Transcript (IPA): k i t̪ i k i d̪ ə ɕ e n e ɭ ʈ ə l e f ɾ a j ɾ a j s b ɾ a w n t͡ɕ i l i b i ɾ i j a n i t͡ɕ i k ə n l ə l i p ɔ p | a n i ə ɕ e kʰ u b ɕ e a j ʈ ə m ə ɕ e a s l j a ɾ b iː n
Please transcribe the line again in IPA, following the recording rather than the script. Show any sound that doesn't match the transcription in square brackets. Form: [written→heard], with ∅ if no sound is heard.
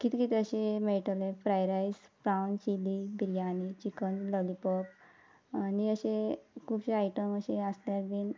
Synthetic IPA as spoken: k i t̪ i k i [d̪→t̪] ə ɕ e [n→m] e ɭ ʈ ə l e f ɾ a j ɾ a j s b ɾ a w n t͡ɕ i l i b i ɾ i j a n i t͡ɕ i k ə n l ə l i p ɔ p | a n i ə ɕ e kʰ u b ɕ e a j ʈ ə m ə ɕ e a s l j a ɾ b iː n